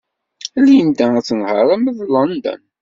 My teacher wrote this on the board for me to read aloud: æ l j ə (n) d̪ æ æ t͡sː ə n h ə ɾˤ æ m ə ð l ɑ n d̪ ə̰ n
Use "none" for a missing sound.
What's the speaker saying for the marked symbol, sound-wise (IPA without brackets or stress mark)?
n